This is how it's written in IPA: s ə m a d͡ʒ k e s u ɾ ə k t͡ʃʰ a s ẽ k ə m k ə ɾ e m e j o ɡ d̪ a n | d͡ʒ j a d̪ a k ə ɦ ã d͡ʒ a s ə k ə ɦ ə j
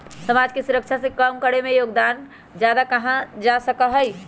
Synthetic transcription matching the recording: s ə m a d͡ʒ k e s u ɾ ə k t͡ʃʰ a s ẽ k ə m k ə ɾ e m e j o ɡ d̪ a n | d͡ʒ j a d̪ a k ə ɦ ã d͡ʒ a s ə k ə ɦ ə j